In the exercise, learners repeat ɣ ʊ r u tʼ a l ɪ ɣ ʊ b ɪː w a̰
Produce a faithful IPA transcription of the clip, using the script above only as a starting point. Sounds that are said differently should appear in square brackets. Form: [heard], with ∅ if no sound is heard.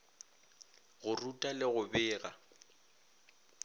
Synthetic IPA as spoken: ɣ ʊ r u tʼ a l ɪ ɣ ʊ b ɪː [ɣ] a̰

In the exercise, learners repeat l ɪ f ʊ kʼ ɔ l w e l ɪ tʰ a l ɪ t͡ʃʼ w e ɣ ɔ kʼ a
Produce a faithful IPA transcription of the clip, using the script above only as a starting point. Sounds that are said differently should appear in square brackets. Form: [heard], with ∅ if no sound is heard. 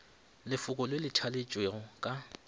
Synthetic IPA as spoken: l ɪ f ʊ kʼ ɔ l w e l ɪ tʰ a l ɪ t͡ʃʼ w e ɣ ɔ kʼ a

